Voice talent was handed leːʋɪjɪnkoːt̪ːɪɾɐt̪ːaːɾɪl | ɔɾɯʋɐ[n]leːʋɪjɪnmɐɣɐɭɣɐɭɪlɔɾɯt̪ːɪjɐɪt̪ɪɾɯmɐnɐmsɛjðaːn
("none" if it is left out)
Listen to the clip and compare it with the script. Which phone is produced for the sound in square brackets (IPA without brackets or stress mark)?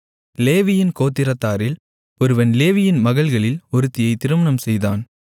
n